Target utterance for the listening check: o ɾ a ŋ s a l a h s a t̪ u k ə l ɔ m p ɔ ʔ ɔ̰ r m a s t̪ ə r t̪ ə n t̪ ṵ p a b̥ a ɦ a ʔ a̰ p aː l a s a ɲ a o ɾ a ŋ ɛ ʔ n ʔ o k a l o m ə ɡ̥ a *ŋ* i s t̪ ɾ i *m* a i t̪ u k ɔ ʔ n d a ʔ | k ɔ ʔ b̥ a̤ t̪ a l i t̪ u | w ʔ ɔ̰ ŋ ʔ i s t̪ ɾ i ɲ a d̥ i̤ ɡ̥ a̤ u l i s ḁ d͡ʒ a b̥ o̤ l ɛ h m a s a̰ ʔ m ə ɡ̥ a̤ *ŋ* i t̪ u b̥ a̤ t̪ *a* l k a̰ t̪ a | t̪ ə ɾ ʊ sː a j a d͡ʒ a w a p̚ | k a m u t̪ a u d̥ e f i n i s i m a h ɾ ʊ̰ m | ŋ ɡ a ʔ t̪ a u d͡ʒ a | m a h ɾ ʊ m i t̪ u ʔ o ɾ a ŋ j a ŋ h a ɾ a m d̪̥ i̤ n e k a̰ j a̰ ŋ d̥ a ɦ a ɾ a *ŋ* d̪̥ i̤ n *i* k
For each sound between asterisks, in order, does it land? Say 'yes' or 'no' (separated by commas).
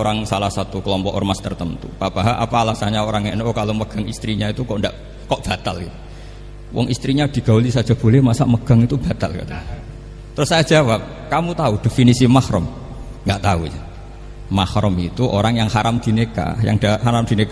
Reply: yes, no, yes, yes, no, no